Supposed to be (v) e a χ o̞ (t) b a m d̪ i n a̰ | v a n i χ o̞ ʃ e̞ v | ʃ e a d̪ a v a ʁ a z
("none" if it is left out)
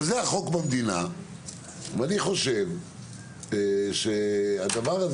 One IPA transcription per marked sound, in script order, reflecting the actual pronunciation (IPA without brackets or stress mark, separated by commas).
z, k